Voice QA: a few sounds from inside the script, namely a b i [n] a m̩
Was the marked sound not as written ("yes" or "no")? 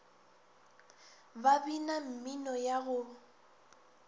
no